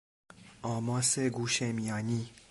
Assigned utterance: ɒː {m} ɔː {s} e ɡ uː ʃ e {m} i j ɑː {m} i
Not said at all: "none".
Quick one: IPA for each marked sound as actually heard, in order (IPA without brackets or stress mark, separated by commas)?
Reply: m, s, m, n